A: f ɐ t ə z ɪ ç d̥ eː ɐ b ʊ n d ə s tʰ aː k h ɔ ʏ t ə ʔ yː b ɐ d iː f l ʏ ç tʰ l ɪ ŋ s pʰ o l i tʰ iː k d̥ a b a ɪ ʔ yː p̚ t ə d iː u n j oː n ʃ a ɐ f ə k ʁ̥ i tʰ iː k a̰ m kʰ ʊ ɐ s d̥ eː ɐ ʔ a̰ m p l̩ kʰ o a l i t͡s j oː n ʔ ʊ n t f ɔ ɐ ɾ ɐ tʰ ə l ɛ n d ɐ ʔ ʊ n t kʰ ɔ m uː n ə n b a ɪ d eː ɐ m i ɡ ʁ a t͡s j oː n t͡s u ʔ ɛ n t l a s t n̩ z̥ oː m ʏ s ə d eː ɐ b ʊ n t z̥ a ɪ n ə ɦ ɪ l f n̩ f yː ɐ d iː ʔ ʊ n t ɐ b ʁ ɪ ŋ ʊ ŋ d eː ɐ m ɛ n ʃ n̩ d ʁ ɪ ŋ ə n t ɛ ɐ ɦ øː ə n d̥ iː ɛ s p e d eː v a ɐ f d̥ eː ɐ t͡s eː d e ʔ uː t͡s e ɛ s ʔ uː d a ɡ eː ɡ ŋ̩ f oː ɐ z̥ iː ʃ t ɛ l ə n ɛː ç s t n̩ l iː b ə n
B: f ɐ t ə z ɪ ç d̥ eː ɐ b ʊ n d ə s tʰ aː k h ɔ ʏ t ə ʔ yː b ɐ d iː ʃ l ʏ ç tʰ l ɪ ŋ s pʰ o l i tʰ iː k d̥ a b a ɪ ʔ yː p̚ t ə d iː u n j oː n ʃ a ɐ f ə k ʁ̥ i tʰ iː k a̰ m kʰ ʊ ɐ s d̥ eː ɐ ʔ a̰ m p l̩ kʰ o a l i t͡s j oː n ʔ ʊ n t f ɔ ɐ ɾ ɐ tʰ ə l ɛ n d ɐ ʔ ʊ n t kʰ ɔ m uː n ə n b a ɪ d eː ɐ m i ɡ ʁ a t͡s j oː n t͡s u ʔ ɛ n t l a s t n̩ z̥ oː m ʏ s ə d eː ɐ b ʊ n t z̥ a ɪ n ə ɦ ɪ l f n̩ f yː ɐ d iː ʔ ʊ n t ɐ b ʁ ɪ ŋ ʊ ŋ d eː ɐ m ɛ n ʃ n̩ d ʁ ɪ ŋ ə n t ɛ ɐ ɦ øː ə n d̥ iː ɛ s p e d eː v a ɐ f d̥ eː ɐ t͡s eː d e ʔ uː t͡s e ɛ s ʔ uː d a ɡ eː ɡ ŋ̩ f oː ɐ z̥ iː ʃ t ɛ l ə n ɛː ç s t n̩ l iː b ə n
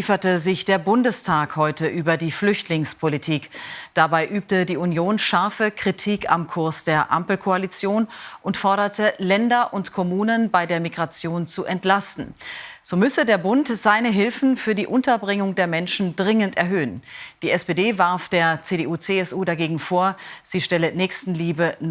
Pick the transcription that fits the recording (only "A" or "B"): A